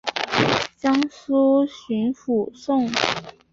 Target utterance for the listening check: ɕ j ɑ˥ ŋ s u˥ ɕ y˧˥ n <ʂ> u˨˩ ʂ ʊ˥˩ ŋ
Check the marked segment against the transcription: incorrect: f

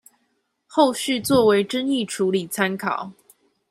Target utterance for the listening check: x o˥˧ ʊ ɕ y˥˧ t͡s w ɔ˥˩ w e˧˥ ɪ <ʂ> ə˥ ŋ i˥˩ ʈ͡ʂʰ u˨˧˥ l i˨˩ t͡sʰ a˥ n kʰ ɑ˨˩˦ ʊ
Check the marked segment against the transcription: incorrect: ʈ͡ʂ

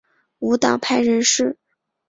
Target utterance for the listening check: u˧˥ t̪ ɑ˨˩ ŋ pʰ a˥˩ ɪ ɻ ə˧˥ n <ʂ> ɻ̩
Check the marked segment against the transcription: correct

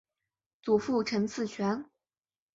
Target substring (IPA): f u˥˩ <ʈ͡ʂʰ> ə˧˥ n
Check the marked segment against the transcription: correct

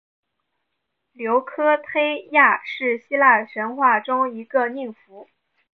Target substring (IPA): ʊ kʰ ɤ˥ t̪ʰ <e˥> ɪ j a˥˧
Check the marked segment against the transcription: correct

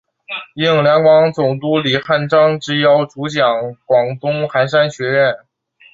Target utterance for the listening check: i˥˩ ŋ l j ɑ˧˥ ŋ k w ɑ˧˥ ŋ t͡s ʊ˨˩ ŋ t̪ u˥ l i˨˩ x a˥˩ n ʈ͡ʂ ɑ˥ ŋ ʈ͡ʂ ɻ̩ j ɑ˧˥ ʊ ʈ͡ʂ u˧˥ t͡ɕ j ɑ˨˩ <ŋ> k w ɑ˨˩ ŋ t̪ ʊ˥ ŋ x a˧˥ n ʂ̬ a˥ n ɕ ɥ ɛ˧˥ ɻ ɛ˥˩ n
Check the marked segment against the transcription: correct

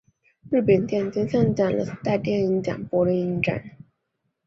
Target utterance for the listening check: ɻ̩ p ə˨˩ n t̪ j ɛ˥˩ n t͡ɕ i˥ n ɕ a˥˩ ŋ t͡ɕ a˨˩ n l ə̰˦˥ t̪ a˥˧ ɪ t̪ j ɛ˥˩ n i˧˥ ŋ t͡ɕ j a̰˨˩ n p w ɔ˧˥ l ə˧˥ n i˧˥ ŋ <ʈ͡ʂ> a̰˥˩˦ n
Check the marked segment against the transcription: correct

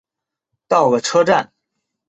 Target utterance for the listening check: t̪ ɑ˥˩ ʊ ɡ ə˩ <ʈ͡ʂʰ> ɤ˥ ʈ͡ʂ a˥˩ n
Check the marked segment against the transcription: correct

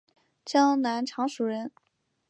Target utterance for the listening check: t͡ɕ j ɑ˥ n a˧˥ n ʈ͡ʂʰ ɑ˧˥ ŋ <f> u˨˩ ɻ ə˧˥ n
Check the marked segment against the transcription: incorrect: ʂ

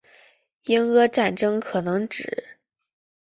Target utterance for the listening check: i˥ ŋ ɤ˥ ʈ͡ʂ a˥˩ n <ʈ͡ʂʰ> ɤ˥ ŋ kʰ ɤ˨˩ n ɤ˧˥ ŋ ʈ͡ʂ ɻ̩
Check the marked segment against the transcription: incorrect: ʈ͡ʂ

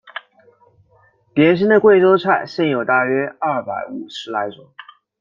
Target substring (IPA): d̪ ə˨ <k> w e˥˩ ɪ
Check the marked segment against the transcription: correct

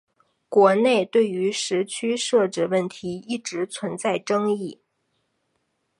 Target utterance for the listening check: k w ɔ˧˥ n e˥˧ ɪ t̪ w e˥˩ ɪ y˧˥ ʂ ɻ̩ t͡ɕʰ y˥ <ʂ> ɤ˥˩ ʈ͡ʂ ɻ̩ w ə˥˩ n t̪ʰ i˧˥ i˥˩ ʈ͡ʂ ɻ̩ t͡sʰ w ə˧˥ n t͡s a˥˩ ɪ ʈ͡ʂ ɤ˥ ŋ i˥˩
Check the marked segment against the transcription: correct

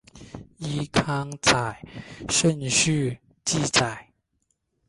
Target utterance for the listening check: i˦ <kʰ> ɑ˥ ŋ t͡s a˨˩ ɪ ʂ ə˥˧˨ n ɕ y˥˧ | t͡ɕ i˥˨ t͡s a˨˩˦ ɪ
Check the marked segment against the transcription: correct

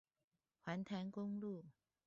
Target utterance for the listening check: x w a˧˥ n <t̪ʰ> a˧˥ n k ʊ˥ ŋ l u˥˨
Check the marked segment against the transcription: correct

